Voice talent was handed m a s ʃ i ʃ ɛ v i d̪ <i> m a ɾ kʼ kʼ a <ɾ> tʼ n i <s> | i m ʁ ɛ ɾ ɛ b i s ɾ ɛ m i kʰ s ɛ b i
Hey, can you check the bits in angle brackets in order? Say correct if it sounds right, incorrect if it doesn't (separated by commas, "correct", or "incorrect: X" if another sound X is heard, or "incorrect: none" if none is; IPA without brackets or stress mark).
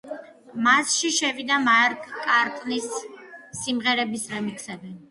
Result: incorrect: a, correct, incorrect: sː